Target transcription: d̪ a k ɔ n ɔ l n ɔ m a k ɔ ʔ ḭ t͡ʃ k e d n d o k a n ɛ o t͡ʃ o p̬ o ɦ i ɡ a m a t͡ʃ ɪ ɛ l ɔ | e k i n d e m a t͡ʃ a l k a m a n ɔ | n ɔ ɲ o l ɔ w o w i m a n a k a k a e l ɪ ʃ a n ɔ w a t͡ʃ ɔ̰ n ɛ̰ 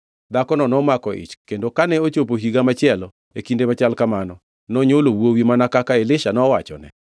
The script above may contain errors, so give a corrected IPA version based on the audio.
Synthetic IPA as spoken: d̪ a k ɔ n ɔ n ɔ m a k ɔ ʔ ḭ t͡ʃ k e n d o k a n ɛ o t͡ʃ o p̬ o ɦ i ɡ a m a t͡ʃ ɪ ɛ l ɔ | e k i n d e m a t͡ʃ a l k a m a n ɔ | n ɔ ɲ o l o w o w i m a n a k a k a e l ɪ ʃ a n ɔ w a t͡ʃ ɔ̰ n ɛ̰

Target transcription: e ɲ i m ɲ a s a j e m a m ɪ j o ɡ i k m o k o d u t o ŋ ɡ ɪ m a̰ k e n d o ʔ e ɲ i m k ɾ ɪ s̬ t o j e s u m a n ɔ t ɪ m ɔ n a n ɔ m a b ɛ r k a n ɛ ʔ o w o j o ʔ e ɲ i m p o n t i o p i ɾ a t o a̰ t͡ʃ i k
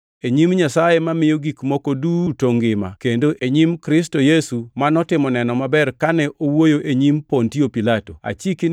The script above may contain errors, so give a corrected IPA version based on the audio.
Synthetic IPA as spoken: e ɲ i m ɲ a s a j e m a m ɪ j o ɡ i k m o k o d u t o ŋ ɡ ɪ m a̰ k e n d o ʔ e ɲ i m k ɾ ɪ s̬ t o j e s u m a n ɔ t ɪ m ɔ n ɛ n ɔ m a b ɛ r k a n ɛ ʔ o w o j o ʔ e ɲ i m p o n t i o p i l a t o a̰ t͡ʃ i k

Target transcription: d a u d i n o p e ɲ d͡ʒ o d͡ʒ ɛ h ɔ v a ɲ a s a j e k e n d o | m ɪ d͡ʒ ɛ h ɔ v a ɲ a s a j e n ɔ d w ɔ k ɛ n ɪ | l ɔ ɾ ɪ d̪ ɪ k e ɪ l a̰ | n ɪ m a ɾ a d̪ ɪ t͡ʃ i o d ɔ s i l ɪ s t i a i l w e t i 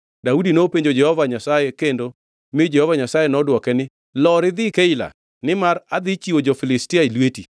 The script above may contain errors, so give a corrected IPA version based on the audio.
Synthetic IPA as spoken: d a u d i n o p e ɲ d͡ʒ o d͡ʒ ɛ h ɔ v a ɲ a s a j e k e n d o | m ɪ d͡ʒ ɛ h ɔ v a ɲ a s a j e n ɔ d w ɔ k ɛ n ɪ | l ɔ ɾ ɪ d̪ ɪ k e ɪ l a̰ | n ɪ m a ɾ a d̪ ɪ t͡ʃ i o d͡ʒ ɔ f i l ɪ s t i a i l w e t i

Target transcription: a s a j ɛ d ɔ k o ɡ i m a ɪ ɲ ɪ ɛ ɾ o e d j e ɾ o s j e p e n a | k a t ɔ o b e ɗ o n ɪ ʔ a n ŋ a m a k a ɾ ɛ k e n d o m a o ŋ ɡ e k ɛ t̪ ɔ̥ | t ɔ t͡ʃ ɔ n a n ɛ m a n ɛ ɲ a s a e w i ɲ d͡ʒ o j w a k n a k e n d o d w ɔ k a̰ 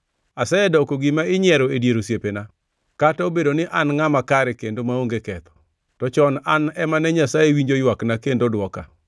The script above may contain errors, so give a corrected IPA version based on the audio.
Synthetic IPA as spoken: a s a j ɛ d ɔ k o ɡ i m a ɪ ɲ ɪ ɛ ɾ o e d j e ɾ o s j e p e n a | k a t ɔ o b e d o n ɪ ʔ a n ŋ a m a k a ɾ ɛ k e n d o m a o ŋ ɡ e k ɛ t̪ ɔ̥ | t ɔ t͡ʃ ɔ n a n ɛ m a n ɛ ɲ a s a e w i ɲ d͡ʒ o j w a k n a k e n d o d w ɔ k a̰

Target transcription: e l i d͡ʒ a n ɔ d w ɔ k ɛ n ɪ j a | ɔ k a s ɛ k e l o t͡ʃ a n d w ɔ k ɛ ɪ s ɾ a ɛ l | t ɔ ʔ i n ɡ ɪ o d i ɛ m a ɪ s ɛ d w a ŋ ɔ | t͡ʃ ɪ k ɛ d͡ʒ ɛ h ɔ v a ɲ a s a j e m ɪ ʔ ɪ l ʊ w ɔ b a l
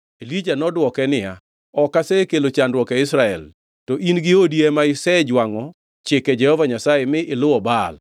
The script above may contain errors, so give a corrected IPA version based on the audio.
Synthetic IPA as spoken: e l i d͡ʒ a n ɔ d w ɔ k ɛ n ɪ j a | ɔ k a s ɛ k e l o t͡ʃ a n d w ɔ k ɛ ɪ s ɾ a ɛ l | t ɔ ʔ i n ɡ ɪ o d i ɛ m a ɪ s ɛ d͡ʒ w a ŋ ɔ | t͡ʃ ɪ k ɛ d͡ʒ ɛ h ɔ v a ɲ a s a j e m ɪ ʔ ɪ l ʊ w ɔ b a l

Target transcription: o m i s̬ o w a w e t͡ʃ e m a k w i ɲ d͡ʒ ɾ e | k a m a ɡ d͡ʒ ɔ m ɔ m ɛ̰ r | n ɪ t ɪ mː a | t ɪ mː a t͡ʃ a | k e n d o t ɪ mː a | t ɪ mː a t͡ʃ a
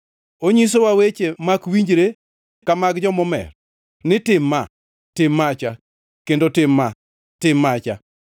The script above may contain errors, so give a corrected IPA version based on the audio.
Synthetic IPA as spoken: o ɲ i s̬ o w a w e t͡ʃ e m a k w i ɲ d͡ʒ ɾ e | k a m a ɡ d͡ʒ ɔ m ɔ m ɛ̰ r | n ɪ t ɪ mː a | t ɪ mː a t͡ʃ a | k e n d o t ɪ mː a | t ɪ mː a t͡ʃ a

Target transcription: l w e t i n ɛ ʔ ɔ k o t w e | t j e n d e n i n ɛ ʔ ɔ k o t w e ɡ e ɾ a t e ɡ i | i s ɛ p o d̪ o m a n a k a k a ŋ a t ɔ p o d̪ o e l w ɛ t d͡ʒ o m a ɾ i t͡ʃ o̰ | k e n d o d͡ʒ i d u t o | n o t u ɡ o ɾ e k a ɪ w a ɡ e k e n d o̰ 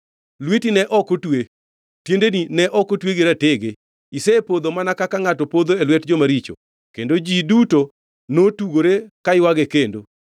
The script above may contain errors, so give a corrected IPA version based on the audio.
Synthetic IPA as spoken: l w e t i n ɛ ʔ ɔ k o t w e | t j e n d e n i n ɛ ʔ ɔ k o t w e ɡ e ɾ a t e ɡ e | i s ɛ p o d̪ o m a n a k a k a ŋ a t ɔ p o d̪ o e l w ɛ t d͡ʒ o m a ɾ i t͡ʃ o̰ | k e n d o d͡ʒ i d u t o | n o t u ɡ o ɾ e k a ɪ w a ɡ e k e n d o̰

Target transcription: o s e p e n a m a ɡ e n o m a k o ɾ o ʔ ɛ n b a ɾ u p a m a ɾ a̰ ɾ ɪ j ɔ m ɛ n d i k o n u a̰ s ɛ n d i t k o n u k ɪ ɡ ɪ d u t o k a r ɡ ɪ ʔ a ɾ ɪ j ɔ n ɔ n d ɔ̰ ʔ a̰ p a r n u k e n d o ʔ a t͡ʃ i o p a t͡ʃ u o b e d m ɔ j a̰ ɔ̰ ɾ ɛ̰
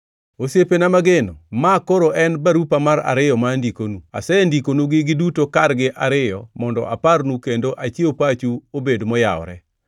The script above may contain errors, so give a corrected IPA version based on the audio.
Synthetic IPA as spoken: o s e p e n a m a ɡ e n o m a k o ɾ o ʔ ɛ n b a ɾ u p a m a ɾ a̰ ɾ ɪ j ɔ m a n d i k o n u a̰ s ɛ n d i k o n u ɡ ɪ ɡ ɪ d u t o k a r ɡ ɪ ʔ a ɾ ɪ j ɔ m ɔ n d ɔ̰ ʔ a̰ p a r n u k e n d o ʔ a t͡ʃ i o p a t͡ʃ u o b e d m ɔ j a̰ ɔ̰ ɾ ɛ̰

